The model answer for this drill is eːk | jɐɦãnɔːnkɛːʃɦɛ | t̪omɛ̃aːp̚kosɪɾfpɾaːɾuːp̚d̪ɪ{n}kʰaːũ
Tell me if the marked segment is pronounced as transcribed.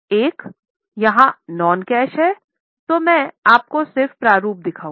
no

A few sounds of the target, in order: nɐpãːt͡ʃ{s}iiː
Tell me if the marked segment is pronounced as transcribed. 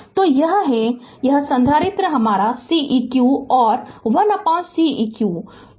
yes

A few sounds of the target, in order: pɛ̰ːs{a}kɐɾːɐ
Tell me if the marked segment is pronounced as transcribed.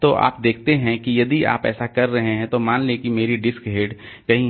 yes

